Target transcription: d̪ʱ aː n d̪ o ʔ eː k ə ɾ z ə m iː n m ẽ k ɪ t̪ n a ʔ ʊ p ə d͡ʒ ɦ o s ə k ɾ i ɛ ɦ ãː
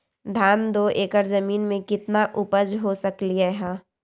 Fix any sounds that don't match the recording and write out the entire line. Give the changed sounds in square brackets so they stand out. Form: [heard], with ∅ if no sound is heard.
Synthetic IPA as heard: d̪ʱ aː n d̪ o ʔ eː k ə ɾ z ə m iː n m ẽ k ɪ t̪ n a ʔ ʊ p ə d͡ʒ ɦ o s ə k [l] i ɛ ɦ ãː